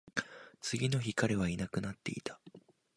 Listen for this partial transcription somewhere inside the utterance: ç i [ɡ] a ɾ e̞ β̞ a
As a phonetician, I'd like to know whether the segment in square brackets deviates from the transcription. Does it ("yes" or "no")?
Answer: yes